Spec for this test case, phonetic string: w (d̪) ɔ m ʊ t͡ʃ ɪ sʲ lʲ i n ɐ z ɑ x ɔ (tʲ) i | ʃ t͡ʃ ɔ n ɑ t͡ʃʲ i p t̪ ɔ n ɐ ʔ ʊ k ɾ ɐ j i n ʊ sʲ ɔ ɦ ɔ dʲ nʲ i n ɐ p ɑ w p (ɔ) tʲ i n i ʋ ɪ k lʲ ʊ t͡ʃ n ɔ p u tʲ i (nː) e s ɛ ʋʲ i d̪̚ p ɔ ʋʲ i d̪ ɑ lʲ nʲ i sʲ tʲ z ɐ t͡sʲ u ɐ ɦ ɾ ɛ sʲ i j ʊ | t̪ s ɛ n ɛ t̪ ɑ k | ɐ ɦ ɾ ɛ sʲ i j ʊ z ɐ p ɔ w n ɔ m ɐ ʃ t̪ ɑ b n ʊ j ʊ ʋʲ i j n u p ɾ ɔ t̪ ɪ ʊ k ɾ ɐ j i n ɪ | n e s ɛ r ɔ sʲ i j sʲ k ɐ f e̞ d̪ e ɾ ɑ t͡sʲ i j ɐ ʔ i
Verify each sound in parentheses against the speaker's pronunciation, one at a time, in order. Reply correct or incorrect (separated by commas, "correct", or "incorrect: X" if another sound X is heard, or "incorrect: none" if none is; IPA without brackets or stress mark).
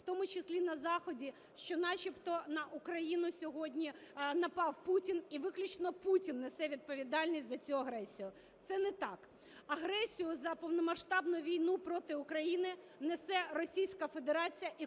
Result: incorrect: t̪, incorrect: dʲ, incorrect: u, correct